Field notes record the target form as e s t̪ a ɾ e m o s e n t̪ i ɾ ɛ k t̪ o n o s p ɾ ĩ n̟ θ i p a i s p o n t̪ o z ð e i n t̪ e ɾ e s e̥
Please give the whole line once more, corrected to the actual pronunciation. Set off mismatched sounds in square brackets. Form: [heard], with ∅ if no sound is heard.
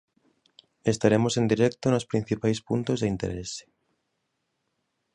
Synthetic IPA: e s t̪ a ɾ e m o s e n [d̪] i ɾ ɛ k t̪ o n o s p ɾ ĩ n̟ θ i p a [j] s p [u] n t̪ o z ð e i n t̪ e ɾ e s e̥